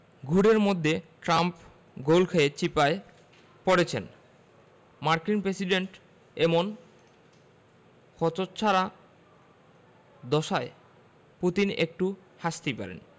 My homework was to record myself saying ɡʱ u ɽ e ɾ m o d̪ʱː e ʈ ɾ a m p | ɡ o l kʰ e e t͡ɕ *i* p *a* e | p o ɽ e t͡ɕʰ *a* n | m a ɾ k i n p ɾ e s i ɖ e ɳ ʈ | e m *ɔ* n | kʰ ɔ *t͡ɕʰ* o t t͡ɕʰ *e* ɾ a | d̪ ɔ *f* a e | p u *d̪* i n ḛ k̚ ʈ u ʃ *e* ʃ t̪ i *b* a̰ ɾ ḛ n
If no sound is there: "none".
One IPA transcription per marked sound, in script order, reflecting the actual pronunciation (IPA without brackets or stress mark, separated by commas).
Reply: i, a, e, o, t͡ɕ, a, ʃ, t̪, a, p